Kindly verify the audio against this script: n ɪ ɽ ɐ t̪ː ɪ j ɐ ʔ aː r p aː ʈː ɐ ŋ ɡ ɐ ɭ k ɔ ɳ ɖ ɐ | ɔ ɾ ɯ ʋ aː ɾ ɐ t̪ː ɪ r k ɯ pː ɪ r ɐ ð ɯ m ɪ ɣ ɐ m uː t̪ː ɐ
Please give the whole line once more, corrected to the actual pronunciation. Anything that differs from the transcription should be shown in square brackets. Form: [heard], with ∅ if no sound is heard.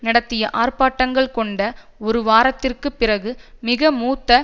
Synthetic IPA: n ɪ ɽ ɐ t̪ː ɪ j ɐ ʔ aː r p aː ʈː ɐ ŋ ɡ ɐ ɭ k ɔ ɳ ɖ ɐ | ɔ ɾ ɯ ʋ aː ɾ ɐ t̪ː ɪ r k ɯ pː ɪ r ɐ [ɣ] ɯ m ɪ ɣ ɐ m uː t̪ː ɐ